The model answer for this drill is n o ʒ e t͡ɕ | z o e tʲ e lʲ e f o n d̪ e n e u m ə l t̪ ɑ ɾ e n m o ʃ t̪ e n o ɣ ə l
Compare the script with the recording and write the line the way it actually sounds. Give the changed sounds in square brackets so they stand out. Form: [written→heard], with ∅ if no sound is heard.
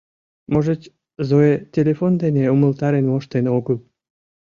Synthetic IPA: [n→m] o ʒ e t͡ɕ | z o e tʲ e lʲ e f o n d̪ e n e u m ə l t̪ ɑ ɾ e n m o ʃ t̪ e n o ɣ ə l